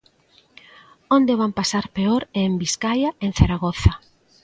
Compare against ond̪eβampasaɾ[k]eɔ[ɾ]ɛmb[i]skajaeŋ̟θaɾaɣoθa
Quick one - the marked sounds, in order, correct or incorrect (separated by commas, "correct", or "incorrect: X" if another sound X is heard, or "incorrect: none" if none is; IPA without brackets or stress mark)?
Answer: incorrect: p, correct, correct